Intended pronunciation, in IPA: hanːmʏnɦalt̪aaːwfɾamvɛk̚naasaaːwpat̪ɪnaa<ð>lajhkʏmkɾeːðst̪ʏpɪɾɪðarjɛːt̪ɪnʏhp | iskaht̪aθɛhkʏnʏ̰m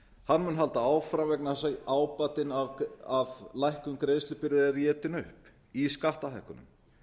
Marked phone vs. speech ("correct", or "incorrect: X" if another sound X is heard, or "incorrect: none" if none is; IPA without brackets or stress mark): incorrect: v